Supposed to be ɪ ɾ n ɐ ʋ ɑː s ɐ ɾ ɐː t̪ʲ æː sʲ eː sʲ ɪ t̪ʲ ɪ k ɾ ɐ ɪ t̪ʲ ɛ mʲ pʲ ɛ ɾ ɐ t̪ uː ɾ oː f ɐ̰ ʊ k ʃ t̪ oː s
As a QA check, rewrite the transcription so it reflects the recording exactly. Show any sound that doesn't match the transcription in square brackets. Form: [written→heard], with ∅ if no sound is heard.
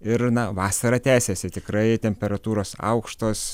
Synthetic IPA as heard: ɪ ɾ n ɐ ʋ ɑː s ɐ ɾ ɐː t̪ʲ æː sʲ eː sʲ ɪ t̪ʲ ɪ k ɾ ɐ ɪ t̪ʲ ɛ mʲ pʲ ɛ ɾ ɐ t̪ uː ɾ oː [f→s] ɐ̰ ʊ k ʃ t̪ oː s